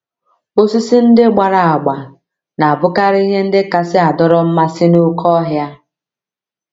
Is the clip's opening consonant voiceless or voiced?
voiceless